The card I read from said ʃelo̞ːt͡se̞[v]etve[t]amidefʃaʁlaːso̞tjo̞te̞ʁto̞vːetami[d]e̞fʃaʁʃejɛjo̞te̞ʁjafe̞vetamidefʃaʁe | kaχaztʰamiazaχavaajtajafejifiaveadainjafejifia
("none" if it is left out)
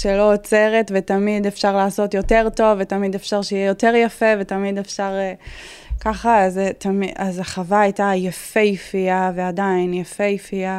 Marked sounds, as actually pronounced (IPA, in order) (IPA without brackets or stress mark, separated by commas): ʁ, t, d